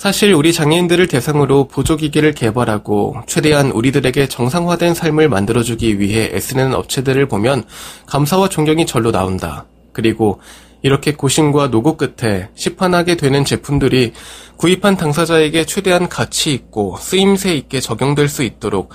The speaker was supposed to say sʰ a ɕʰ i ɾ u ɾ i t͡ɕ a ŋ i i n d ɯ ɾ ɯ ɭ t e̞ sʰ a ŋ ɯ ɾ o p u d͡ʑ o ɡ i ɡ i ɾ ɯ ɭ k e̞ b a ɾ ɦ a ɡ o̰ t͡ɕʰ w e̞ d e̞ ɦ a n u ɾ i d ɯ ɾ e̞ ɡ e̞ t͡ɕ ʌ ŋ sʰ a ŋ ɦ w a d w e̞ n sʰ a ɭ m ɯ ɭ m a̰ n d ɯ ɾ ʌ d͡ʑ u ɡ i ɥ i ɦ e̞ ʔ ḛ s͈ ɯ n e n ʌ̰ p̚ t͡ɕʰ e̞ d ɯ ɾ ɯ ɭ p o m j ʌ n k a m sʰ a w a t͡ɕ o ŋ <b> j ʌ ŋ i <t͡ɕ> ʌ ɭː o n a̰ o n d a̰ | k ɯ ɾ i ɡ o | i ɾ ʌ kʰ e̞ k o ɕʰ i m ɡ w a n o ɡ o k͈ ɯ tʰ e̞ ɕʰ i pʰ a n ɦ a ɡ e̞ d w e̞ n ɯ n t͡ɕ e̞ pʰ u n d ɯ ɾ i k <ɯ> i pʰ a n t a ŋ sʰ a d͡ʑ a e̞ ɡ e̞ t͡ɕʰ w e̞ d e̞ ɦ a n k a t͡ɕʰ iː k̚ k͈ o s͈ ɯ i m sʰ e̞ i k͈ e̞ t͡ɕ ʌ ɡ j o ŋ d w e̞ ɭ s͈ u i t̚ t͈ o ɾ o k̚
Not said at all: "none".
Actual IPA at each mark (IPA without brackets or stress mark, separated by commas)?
ɡ, t͡ɕ, u